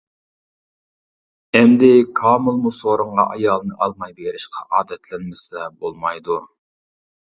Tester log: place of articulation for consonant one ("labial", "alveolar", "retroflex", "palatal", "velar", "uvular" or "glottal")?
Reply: labial